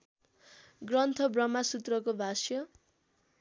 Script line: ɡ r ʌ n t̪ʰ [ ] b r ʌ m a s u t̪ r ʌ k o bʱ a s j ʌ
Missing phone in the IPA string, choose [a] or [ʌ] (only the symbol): ʌ